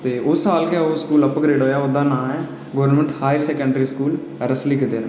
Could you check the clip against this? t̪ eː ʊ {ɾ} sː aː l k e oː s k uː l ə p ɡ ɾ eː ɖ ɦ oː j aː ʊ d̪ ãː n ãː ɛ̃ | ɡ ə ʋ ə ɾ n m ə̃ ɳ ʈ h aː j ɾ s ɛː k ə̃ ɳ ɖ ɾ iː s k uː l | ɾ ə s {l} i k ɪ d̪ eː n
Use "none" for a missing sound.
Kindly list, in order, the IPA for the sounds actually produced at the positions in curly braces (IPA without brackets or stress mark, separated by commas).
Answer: none, l